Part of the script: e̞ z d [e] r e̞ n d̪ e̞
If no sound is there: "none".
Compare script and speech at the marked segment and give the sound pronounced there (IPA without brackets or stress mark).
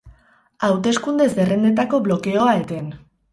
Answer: e